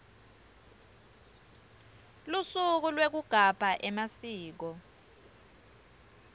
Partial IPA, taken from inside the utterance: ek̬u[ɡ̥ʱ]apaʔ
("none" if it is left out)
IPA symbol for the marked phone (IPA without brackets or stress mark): ɡ̥ʱ